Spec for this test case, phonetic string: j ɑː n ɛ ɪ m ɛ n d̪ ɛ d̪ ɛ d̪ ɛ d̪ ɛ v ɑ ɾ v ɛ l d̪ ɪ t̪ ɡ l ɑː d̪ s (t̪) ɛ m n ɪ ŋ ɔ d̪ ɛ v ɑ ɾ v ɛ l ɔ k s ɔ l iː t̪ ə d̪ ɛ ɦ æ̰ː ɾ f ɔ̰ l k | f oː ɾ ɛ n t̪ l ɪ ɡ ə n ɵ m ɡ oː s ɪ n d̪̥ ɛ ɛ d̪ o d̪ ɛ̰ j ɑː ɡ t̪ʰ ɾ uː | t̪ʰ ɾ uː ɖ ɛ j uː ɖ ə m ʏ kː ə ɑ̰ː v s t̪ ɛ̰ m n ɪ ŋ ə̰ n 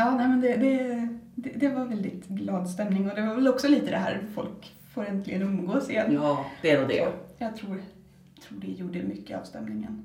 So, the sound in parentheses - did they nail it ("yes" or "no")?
yes